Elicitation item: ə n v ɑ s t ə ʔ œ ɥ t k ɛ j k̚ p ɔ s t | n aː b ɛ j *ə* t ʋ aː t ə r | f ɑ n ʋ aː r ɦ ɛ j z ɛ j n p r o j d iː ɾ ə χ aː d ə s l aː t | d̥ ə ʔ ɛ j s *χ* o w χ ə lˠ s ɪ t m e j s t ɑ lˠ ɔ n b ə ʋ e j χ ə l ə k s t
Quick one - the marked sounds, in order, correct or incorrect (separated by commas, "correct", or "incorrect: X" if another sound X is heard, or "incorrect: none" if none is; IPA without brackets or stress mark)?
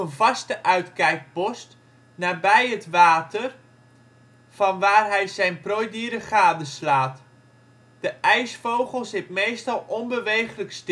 correct, incorrect: f